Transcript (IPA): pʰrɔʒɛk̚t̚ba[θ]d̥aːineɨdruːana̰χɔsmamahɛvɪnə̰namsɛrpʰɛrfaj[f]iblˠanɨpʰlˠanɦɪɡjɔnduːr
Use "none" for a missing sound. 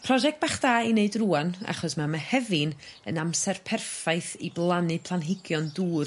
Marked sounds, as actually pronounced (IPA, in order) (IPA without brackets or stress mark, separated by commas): χ, θ